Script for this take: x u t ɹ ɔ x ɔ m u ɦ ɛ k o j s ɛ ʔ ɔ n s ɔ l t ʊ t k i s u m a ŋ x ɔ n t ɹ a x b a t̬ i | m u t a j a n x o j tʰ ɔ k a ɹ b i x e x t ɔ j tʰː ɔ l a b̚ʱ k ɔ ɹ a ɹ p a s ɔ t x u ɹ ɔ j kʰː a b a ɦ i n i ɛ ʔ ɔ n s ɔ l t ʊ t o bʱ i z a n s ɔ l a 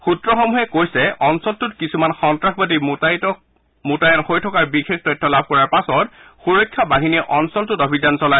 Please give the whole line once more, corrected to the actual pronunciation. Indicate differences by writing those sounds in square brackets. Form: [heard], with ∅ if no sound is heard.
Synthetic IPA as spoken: x u t ɹ ɔ x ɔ m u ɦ ɛ k o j s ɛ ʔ ɔ n s ɔ l t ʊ t k i s u m a [n] x ɔ n t ɹ a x b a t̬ i | m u t a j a n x o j tʰ ɔ k a ɹ b i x e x t ɔ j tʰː ɔ l a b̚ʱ k ɔ ɹ a ɹ p a s ɔ t x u ɹ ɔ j kʰː a b a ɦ i n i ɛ ʔ ɔ n s ɔ l t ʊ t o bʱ i z a n s ɔ l a

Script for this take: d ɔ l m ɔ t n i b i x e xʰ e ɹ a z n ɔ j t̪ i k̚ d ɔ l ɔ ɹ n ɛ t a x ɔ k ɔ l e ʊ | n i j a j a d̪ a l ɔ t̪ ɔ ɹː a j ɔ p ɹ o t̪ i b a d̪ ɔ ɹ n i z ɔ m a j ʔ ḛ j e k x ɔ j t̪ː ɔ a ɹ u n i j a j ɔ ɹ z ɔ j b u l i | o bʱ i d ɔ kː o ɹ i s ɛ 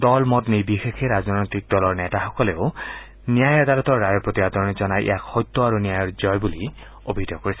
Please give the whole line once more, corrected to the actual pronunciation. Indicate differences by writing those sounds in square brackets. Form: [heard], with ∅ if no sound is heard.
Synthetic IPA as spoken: d ɔ l m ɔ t n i b i x e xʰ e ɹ a z n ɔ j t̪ i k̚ d ɔ l ɔ ɹ n ɛ t a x ɔ k ɔ l e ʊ | n i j a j a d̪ a l ɔ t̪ ɔ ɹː a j ɔ p ɹ o t̪ i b a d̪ ɔ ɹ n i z ɔ [n] a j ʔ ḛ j [a] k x ɔ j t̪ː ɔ a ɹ u n i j a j ɔ ɹ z ɔ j b u l i | o bʱ i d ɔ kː o ɹ i s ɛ

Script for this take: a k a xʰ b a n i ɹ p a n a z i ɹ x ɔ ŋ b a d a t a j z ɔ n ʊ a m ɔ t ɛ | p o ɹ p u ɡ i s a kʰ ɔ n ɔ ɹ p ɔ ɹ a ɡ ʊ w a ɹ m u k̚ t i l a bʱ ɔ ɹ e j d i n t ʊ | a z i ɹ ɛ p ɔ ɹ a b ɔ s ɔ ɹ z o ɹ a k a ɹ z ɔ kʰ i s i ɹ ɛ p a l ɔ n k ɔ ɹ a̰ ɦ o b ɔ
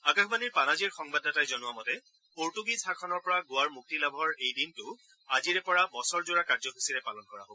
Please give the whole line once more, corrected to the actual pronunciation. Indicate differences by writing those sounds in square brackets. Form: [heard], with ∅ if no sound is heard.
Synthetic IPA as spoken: a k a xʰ b a n i ɹ p a n a z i ɹ x ɔ ŋ b a d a t a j z ɔ n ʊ a m ɔ t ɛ | p o ɹ [t] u ɡ i s a kʰ ɔ n ɔ ɹ p ɔ ɹ a ɡ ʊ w a ɹ m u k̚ t i l a bʱ ɔ ɹ e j d i n t ʊ | a z i ɹ ɛ p ɔ ɹ a b ɔ s ɔ ɹ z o ɹ a k a ɹ z ɔ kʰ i s i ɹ ɛ p a l ɔ n k ɔ ɹ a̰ ɦ o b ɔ

